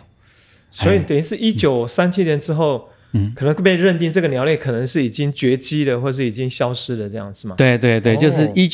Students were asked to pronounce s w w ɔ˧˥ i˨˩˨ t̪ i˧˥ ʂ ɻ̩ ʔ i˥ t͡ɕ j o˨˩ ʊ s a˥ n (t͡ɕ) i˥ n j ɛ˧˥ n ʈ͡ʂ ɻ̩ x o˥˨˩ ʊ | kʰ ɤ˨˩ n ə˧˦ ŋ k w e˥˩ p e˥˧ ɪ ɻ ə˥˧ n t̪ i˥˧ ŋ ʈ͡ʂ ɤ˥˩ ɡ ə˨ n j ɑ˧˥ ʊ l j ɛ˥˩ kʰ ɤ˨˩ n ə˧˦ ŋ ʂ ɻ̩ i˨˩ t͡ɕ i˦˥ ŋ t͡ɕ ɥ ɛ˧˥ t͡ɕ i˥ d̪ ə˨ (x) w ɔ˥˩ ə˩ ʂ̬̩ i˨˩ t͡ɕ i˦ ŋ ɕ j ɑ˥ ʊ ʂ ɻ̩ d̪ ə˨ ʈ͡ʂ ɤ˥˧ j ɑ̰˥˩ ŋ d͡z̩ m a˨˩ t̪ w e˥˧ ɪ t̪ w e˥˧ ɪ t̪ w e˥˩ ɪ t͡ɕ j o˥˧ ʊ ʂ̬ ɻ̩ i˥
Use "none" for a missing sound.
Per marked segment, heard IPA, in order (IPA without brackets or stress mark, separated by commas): t͡ɕʰ, x